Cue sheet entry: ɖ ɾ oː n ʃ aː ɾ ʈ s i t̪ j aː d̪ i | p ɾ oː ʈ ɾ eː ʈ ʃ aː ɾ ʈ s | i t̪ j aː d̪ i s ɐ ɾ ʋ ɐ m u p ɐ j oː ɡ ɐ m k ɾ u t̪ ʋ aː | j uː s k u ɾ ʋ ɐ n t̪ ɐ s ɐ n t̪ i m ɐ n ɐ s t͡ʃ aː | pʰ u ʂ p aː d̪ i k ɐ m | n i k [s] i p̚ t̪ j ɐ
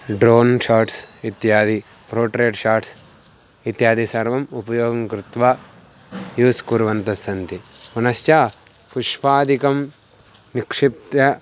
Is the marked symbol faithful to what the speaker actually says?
no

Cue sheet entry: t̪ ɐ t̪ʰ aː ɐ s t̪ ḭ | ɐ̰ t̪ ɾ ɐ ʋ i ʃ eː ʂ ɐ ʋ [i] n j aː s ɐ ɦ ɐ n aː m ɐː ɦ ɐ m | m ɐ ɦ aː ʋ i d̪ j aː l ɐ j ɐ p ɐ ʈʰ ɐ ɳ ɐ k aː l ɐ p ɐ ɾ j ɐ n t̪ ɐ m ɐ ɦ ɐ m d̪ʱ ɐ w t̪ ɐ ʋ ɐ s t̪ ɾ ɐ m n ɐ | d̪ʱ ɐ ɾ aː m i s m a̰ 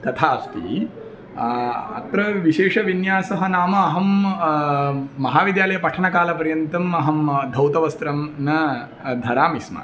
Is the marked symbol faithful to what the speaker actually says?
yes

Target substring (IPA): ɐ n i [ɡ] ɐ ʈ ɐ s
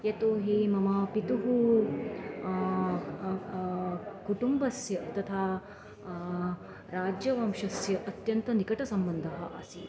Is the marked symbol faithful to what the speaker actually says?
no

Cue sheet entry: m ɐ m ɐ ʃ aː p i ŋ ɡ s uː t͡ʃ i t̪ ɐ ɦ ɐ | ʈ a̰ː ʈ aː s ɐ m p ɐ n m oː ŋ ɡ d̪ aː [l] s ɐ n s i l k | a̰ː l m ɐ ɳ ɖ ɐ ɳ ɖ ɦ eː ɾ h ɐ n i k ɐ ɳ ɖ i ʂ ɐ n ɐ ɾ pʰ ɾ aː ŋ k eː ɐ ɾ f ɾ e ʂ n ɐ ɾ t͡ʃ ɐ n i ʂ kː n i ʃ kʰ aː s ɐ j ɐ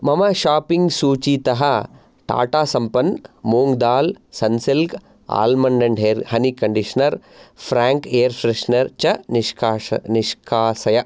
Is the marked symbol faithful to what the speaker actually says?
yes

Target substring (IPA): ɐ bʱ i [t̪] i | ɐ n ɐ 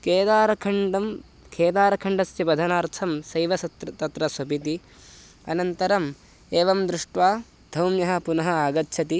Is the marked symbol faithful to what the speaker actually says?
yes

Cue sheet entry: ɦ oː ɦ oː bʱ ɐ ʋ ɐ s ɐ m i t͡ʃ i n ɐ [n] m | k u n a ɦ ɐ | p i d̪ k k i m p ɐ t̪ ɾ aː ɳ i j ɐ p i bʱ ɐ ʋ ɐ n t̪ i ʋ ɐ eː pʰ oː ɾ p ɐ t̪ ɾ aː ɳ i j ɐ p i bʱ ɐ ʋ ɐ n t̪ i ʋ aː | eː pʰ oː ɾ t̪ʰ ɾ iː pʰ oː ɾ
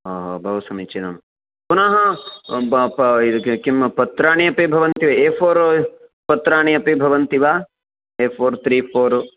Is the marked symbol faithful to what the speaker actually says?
no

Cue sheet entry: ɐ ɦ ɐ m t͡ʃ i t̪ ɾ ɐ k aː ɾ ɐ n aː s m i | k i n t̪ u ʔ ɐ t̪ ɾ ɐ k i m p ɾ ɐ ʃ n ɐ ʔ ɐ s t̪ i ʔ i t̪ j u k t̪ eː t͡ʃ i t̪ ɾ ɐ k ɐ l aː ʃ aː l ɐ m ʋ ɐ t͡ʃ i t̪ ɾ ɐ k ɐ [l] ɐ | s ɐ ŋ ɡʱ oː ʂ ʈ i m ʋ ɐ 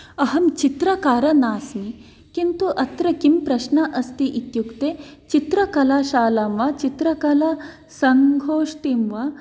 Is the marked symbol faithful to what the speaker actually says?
yes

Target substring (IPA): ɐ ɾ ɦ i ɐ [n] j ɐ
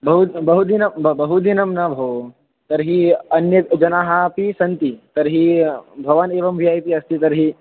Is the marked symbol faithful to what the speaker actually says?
yes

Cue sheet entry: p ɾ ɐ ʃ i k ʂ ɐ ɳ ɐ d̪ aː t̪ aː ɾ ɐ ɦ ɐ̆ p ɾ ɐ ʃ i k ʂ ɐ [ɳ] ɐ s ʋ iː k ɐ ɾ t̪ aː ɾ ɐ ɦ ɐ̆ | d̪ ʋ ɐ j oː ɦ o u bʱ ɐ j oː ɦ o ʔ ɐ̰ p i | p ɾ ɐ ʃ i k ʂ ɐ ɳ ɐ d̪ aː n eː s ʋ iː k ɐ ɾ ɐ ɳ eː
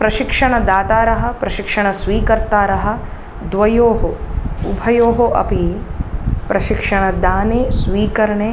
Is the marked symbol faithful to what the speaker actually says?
yes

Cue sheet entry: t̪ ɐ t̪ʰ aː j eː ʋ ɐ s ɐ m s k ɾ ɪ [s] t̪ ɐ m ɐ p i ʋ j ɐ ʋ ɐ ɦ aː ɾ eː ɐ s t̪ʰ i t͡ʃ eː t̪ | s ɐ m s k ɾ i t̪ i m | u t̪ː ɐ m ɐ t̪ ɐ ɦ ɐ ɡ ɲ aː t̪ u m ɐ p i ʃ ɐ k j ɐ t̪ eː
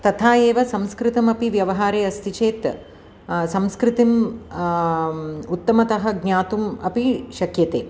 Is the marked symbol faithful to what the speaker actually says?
no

